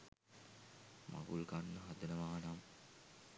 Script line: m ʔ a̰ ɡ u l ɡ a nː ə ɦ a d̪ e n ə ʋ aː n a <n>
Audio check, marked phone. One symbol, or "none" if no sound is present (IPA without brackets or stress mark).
m